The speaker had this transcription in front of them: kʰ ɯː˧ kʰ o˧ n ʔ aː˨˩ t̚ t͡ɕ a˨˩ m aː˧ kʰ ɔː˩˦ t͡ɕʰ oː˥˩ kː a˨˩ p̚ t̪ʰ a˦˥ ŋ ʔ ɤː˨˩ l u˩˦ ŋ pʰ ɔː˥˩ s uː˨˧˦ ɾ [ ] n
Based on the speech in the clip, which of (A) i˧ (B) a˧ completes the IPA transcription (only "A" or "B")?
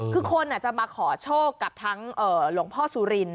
A